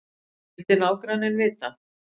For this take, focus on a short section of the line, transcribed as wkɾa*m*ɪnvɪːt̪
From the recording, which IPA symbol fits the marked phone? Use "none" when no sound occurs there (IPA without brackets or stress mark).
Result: n